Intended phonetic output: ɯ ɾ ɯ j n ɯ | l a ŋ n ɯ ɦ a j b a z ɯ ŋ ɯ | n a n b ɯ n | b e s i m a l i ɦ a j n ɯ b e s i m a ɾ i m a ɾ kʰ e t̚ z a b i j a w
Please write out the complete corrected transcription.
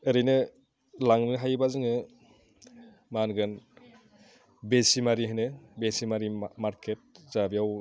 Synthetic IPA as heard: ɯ ɾ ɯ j n ɯ | l a ŋ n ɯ ɦ a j b a z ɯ ŋ ɯ | m a n ɡ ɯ n | b e s i m a ɾ i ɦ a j n ɯ b e s i m a ɾ i m a ɾ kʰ e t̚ z a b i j a w